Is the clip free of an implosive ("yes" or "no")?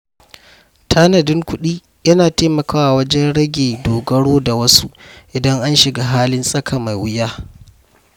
no